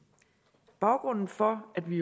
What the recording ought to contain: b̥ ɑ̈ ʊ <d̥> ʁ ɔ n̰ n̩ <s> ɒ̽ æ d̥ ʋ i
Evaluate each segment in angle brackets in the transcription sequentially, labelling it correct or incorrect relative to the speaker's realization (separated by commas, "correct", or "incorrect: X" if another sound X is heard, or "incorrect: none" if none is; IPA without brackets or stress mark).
incorrect: ɡ̥, incorrect: f